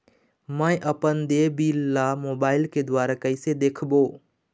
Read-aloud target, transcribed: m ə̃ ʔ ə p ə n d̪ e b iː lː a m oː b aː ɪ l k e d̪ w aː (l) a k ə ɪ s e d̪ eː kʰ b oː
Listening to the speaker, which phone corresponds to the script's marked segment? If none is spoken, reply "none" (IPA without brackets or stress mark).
ɾ